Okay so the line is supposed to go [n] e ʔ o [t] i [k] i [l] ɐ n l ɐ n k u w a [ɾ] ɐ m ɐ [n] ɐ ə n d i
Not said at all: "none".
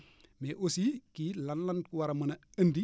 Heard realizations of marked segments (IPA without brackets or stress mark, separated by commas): m, s, k, l, ɾ, n